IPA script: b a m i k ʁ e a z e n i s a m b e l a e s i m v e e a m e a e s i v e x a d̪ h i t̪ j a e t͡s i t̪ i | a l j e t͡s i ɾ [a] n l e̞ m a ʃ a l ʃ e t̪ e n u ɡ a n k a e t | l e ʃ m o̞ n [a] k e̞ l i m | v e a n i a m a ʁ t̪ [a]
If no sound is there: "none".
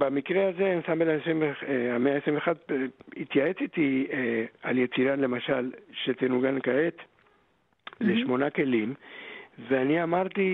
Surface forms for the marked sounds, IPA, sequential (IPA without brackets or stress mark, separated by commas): a, a, i